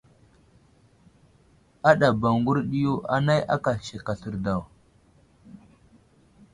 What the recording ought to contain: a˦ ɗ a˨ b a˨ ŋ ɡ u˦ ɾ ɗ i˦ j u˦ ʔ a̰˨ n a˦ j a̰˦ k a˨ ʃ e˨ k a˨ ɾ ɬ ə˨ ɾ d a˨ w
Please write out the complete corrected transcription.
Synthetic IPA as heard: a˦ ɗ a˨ b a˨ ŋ ɡ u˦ ɾ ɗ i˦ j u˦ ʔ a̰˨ n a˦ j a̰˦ k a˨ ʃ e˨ k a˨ ɬ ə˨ ɾ d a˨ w